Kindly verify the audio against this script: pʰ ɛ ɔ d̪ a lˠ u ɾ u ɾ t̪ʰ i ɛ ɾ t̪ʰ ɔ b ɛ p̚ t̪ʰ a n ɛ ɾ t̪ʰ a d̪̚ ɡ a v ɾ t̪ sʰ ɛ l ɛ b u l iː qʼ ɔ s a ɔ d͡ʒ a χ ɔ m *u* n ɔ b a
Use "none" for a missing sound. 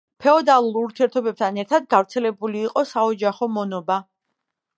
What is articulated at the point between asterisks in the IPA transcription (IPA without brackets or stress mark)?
ɔ